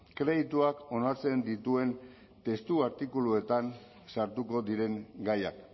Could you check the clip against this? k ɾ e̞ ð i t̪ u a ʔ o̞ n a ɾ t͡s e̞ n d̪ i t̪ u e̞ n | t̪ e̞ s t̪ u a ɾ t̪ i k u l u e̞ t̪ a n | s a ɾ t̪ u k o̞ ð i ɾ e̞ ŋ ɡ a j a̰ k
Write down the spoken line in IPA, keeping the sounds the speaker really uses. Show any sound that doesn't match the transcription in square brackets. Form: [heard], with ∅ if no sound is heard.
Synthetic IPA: k ɾ e̞ ð i t̪ u a [k] o̞ n a ɾ t͡s e̞ n d̪ i t̪ u e̞ n | t̪ e̞ s t̪ u a ɾ t̪ i k u l u e̞ t̪ a n | s a ɾ t̪ u k o̞ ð i ɾ e̞ ŋ ɡ a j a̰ k